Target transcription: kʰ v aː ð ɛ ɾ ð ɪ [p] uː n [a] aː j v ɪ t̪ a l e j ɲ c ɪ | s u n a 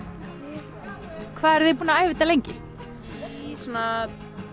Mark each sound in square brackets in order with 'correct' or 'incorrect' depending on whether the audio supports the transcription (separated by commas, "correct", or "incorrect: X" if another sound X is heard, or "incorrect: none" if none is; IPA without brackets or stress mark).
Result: correct, correct